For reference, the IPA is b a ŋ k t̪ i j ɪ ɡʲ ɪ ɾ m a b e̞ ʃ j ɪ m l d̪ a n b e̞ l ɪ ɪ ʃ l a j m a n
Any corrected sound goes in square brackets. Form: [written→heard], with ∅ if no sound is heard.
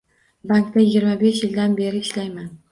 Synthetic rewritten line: b a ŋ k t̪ [i→a] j ɪ ɡʲ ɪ ɾ m a b e̞ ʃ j ɪ [m→∅] l d̪ a n b e̞ [l→ɾ] ɪ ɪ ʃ l a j m a n